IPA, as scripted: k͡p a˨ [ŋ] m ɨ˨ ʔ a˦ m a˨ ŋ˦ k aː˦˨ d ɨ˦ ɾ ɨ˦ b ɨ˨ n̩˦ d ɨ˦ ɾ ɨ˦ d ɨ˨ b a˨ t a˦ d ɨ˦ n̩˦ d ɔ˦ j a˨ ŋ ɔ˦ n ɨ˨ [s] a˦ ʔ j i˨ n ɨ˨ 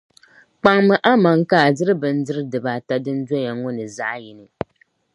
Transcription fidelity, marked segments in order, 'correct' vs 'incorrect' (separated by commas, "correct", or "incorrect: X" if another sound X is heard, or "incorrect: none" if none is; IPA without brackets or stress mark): correct, incorrect: z